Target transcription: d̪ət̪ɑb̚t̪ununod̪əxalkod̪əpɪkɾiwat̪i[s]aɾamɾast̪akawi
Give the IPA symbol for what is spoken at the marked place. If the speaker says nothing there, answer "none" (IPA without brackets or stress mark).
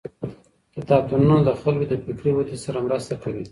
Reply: s